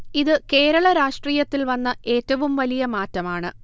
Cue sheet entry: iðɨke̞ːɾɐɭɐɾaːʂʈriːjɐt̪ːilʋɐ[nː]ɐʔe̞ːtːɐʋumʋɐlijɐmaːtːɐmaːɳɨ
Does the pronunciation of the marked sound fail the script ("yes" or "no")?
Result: no